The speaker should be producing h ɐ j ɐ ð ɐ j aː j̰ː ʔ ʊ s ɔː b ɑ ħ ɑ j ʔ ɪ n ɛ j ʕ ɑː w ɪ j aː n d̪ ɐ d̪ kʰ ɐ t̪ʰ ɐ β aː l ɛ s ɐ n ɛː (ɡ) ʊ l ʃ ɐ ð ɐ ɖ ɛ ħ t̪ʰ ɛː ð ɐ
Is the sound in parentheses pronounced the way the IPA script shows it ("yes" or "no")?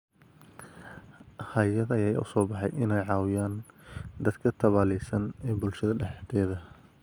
no